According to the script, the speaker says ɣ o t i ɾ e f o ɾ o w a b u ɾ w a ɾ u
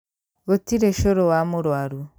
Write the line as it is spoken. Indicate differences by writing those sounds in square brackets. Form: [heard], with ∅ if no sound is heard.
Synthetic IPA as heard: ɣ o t i ɾ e [ʃ] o ɾ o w a [m] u ɾ w a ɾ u